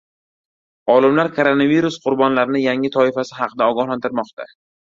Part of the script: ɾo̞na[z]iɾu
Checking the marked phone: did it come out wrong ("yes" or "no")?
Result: yes